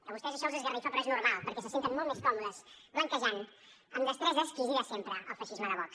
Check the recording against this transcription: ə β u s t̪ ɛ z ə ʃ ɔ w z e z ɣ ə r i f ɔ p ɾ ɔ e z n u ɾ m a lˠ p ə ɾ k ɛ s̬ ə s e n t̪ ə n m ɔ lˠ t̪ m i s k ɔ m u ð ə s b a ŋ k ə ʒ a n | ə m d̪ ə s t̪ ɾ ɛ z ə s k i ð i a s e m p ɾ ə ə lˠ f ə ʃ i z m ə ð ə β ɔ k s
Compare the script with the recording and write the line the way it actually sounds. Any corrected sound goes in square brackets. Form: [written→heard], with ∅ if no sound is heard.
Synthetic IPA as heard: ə β u s t̪ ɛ z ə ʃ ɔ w z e z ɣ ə r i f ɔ p ɾ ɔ e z n u ɾ m a lˠ p ə ɾ k ɛ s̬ ə s e n t̪ ə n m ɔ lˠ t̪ m [i→e] s k ɔ m u ð ə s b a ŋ k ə ʒ a n | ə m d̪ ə s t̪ ɾ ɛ z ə s k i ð i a s e m p ɾ ə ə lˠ f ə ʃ i z m ə ð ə β ɔ k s

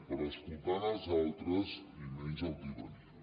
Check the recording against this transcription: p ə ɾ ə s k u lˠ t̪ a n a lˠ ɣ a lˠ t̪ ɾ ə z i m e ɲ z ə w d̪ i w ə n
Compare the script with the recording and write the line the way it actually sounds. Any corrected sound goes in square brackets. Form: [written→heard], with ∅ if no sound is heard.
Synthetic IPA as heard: p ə ɾ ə s k u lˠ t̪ a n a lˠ [ɣ→z] a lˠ t̪ ɾ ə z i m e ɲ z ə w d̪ i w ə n

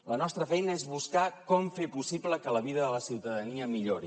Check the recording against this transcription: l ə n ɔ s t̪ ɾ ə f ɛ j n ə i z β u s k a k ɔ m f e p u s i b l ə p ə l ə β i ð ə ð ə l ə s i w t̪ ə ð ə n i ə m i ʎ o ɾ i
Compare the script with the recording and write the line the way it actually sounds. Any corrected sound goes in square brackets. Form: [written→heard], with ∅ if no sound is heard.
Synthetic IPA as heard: l ə n ɔ s t̪ ɾ ə f ɛ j n ə [i→e] z β u s k a k ɔ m f e p u s i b l ə [p→k] ə l ə β i ð ə ð ə l ə s i w t̪ ə ð ə n i ə m i ʎ o ɾ i

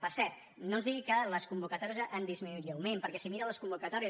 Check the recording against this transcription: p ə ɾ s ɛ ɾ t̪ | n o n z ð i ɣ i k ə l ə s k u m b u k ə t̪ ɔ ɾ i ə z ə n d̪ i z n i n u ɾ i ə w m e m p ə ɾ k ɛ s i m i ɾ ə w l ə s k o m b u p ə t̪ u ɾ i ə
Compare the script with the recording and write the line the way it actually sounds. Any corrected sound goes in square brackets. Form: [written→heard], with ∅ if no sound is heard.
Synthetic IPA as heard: p ə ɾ s ɛ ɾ t̪ | n o n z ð i ɣ i k ə l ə s k u m b u k ə t̪ ɔ ɾ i ə z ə n d̪ i z [n→m] i n u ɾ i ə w m e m p ə ɾ k ɛ s i m i ɾ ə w l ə s k [o→u] m b u [p→k] ə t̪ [u→ɔ] ɾ i ə

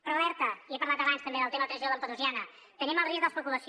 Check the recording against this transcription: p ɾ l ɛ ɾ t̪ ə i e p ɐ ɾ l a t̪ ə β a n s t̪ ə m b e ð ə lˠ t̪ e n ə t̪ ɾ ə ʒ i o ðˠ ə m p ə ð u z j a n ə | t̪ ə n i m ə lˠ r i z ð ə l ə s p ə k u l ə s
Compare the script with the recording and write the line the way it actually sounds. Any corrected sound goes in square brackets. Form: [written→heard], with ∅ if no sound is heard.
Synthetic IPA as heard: p ɾ l ɛ ɾ t̪ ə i e p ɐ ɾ l a t̪ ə β a n s t̪ ə m b e ð ə lˠ t̪ e [n→m] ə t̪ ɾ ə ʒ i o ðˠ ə m p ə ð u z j a n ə | t̪ ə n i m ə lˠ r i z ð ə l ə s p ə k u l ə s

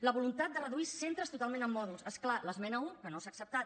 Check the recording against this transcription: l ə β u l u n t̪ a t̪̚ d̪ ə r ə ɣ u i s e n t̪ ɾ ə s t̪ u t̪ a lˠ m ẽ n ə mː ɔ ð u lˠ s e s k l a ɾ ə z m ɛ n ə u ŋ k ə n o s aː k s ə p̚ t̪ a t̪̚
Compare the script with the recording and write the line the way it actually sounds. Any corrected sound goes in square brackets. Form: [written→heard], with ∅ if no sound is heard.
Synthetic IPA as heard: l ə β u l u n t̪ a t̪̚ d̪ ə r ə [ɣ→ð] u i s e n t̪ ɾ ə s t̪ u t̪ a lˠ m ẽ n ə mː ɔ ð u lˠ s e s k l a [ɾ→l] ə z m ɛ n ə u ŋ k ə n o s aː k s ə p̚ t̪ a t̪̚

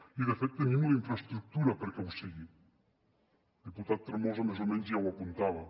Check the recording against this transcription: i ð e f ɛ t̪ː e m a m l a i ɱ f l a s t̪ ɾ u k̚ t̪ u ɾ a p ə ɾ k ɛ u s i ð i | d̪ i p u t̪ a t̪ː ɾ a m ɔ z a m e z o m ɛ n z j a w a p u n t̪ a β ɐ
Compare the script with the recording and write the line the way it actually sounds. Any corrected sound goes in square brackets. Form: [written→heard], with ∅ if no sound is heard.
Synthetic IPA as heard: i ð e f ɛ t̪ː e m [a→i] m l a i ɱ f [l→ɾ] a s t̪ ɾ u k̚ t̪ u ɾ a p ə ɾ k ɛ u s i [ð→ɣ] i | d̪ i p u t̪ a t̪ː ɾ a m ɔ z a m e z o m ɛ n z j a w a p u n t̪ a β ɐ

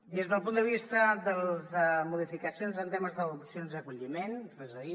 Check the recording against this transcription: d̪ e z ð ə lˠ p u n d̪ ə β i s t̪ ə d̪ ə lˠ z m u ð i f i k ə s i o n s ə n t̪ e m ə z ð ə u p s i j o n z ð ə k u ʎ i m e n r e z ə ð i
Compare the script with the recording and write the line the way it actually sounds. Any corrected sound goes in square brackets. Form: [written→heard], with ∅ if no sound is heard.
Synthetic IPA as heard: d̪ e z ð ə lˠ p u n d̪ ə β i s t̪ ə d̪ ə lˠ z m u ð i f i k ə s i o n [s→z] ə n t̪ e m ə z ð ə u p s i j o n z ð ə k u ʎ i m e n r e z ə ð i

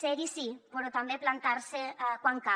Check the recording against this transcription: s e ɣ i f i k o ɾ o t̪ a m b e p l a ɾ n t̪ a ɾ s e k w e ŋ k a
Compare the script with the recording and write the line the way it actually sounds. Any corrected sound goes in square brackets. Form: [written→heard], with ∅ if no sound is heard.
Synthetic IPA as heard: s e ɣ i [f→s] i [k→p] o ɾ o t̪ a m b e p l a [ɾ→∅] n t̪ a ɾ s e k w [e→a] ŋ k a

